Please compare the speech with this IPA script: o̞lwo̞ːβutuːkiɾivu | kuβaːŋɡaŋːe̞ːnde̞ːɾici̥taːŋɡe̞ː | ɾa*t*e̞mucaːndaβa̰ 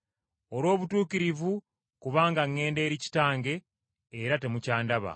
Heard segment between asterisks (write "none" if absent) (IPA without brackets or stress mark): t